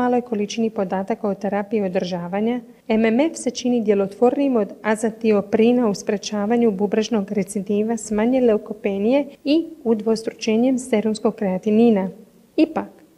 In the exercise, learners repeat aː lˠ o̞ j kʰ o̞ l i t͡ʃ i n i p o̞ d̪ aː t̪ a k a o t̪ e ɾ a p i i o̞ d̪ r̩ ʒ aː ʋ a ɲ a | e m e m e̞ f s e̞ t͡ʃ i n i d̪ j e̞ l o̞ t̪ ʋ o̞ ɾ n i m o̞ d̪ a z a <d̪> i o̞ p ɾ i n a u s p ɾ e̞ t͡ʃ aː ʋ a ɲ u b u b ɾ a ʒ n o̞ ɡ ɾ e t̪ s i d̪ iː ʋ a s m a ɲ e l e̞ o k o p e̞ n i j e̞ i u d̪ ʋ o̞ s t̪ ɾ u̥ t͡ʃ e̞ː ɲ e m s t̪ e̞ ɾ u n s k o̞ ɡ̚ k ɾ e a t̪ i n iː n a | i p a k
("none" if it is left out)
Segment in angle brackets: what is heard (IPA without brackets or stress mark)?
t̪